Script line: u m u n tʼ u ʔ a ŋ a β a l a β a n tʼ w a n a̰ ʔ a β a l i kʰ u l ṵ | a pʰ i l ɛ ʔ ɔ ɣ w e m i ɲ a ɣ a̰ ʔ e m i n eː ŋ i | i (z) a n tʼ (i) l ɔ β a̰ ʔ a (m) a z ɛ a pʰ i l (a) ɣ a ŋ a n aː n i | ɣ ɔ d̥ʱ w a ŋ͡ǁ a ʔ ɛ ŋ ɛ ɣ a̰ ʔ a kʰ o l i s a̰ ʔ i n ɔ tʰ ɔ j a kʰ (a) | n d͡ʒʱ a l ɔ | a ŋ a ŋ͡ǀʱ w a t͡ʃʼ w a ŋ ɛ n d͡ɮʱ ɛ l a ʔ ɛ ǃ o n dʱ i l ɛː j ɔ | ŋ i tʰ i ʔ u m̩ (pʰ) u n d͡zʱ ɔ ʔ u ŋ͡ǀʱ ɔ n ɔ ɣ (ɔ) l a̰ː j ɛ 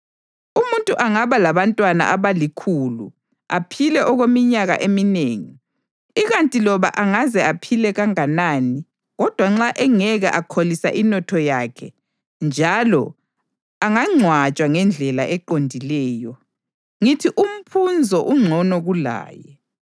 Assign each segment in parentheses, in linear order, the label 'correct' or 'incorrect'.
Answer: incorrect, correct, incorrect, incorrect, incorrect, correct, incorrect

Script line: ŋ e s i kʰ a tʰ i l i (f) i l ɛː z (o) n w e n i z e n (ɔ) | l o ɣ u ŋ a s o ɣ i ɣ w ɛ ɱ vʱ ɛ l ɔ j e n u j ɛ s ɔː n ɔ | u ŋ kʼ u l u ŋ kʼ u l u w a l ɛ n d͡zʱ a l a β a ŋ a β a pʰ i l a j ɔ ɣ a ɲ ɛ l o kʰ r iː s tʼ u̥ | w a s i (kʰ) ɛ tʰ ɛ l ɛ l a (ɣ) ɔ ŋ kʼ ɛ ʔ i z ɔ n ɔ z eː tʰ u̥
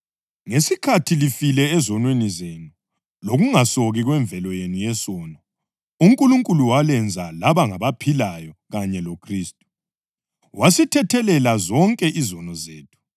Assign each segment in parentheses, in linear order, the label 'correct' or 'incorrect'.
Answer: correct, incorrect, incorrect, incorrect, incorrect

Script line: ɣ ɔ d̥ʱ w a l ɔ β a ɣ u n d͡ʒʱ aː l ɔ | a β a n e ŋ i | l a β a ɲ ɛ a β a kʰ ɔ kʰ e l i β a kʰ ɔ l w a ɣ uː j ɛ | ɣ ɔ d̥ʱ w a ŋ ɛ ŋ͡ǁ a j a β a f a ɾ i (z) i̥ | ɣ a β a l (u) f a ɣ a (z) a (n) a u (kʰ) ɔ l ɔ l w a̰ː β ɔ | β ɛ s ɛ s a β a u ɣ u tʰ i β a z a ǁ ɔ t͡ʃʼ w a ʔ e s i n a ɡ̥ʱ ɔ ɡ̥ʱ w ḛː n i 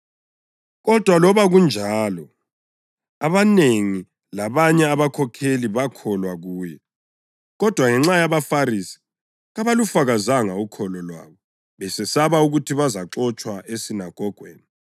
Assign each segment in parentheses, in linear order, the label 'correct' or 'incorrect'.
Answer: incorrect, correct, correct, incorrect, correct

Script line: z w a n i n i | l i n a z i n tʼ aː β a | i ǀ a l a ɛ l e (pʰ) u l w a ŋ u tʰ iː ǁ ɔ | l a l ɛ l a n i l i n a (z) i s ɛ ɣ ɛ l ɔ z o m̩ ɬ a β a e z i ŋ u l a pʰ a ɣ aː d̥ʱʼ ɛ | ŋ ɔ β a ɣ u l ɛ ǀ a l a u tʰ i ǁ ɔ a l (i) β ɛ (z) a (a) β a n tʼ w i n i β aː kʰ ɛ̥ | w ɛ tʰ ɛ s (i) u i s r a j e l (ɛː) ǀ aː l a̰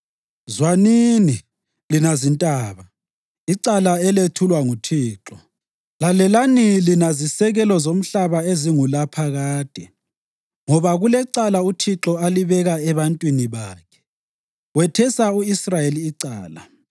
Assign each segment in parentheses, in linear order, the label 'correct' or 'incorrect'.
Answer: incorrect, correct, correct, incorrect, incorrect, incorrect, incorrect

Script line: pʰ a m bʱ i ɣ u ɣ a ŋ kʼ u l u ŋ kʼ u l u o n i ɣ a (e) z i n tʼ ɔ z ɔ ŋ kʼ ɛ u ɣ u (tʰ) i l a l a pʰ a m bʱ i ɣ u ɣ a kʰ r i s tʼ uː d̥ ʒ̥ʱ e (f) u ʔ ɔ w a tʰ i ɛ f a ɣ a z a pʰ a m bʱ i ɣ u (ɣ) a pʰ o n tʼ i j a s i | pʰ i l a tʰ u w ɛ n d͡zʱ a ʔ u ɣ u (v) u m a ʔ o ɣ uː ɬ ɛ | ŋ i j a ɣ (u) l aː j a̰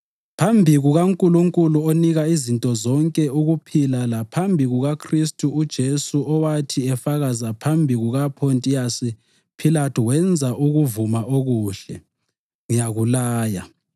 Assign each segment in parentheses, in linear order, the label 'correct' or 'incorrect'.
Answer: incorrect, incorrect, incorrect, correct, correct, correct

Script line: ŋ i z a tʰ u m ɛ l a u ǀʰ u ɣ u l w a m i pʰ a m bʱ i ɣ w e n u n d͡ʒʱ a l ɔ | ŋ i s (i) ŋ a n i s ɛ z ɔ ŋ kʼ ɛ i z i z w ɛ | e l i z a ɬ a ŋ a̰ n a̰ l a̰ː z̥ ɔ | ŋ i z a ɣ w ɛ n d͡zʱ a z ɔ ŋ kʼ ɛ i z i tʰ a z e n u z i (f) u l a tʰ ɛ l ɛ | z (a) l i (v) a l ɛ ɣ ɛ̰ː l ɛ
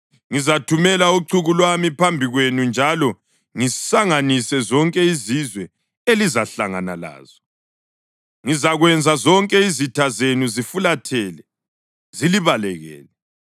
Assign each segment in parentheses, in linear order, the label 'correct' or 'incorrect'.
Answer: incorrect, correct, incorrect, incorrect

